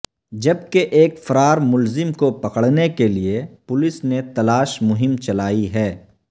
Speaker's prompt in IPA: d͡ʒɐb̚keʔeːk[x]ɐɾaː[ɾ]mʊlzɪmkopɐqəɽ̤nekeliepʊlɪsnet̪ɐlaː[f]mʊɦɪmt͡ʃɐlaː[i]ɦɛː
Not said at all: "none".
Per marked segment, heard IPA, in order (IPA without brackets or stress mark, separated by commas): f, ɾ, ʃ, i